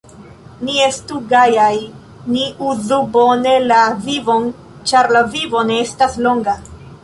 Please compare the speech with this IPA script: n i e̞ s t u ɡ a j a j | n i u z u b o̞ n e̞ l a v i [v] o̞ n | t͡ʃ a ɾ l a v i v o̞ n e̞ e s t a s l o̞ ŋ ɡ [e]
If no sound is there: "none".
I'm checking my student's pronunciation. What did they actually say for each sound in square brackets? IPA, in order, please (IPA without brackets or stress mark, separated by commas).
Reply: v, a